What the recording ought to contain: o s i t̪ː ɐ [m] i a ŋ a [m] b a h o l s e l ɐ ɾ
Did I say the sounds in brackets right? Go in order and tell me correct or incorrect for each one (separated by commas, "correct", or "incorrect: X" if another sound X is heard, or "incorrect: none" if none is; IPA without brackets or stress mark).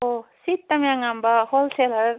correct, correct